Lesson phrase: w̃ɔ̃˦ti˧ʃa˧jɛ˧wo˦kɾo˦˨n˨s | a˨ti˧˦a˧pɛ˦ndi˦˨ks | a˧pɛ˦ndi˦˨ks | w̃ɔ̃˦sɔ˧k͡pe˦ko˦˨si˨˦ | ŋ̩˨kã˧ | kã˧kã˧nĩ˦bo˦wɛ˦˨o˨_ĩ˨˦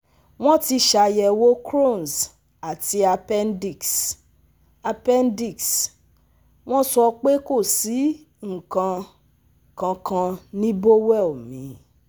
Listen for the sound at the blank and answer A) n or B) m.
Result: B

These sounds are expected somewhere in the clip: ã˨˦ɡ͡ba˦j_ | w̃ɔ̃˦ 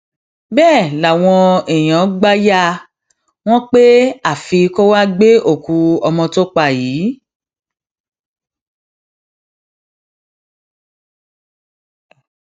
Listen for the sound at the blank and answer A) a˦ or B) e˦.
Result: A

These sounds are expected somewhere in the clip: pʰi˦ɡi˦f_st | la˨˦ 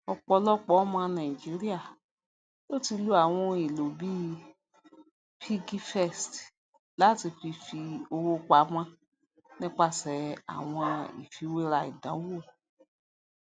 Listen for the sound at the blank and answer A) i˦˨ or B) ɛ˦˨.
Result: B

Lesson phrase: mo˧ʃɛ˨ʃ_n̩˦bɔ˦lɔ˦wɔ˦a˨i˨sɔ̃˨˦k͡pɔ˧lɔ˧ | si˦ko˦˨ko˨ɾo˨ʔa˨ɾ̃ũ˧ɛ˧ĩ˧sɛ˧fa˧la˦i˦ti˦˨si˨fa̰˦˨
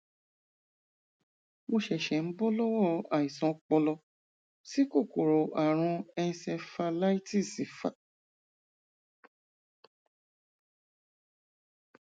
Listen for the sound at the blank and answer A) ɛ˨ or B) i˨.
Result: A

